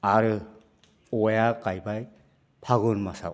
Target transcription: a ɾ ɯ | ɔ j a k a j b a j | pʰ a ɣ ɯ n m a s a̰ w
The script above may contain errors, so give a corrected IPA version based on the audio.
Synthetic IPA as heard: a ɾ ɯ | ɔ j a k a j b a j | pʰ a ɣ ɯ n m a s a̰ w